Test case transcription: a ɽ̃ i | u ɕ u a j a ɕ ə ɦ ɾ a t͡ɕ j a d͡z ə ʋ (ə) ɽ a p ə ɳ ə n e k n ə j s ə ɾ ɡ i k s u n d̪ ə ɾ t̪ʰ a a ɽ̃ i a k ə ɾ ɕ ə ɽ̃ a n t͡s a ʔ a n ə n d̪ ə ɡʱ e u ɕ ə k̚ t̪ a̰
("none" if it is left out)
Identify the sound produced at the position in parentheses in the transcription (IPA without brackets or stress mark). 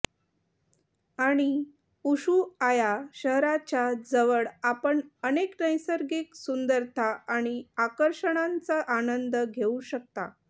ə